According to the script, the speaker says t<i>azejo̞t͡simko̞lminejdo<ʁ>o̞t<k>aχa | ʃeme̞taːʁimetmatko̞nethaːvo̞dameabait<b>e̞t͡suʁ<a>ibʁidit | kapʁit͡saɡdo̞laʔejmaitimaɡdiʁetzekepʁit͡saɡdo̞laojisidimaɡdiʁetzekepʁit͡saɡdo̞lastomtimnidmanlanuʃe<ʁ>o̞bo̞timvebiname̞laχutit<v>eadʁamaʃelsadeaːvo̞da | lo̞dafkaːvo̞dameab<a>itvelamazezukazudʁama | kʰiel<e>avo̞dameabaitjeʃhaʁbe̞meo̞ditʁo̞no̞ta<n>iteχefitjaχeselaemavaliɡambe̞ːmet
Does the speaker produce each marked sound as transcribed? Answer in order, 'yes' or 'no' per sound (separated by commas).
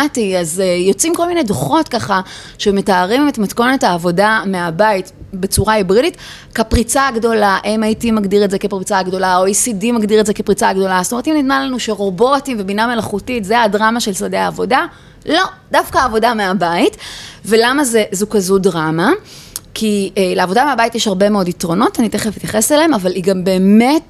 yes, no, yes, yes, yes, yes, no, yes, yes, yes